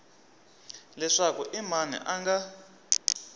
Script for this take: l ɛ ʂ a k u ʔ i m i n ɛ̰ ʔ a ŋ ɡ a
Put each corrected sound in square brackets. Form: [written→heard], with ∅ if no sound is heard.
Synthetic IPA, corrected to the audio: l ɛ ʂ a k u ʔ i m [i→a] n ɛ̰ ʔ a ŋ ɡ a